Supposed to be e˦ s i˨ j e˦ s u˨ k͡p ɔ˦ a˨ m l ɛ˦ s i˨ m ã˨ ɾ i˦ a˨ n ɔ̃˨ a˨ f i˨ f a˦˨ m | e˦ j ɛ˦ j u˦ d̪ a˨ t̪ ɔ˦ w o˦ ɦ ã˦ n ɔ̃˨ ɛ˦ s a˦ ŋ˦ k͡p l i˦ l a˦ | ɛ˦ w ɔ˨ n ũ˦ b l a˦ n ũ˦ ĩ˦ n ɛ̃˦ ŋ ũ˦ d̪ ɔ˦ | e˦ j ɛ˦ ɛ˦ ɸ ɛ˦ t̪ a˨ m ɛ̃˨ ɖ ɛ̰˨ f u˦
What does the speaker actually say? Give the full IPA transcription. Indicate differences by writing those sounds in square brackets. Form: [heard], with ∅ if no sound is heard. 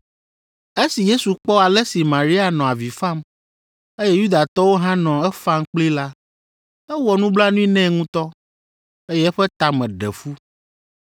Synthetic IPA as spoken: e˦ s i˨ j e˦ s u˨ k͡p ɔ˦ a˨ [∅] l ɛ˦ s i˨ m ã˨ ɾ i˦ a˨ n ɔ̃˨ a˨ [v] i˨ f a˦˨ m | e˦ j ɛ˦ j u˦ d̪ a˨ t̪ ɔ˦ w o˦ ɦ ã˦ n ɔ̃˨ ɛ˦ [f] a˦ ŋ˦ k͡p l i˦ l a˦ | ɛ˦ w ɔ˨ n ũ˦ b l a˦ n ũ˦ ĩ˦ n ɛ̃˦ ŋ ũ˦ [t̪] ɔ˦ | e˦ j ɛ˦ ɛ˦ ɸ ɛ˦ t̪ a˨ m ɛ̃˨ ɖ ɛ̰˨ f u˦